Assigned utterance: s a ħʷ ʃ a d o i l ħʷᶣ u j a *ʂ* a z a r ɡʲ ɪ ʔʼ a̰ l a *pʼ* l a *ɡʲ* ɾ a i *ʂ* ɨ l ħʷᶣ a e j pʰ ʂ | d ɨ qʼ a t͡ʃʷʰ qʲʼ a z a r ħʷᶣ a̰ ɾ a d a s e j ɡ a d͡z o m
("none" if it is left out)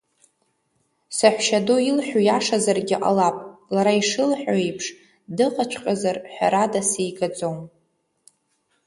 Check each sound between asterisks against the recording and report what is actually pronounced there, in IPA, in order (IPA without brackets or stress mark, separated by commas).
ʂ, pʼ, none, ʂ